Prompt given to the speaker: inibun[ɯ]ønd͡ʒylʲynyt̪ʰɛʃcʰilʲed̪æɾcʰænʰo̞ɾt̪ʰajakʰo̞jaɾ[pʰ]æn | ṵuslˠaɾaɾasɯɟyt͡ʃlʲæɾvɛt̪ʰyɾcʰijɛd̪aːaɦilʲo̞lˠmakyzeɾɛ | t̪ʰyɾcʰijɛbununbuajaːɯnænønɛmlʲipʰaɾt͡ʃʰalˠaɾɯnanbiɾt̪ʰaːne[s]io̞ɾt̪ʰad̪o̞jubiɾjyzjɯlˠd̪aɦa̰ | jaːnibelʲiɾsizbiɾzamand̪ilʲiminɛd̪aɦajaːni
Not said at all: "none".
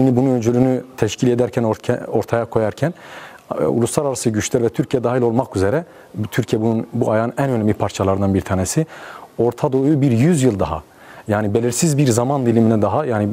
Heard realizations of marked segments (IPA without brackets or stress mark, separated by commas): u, cʰ, s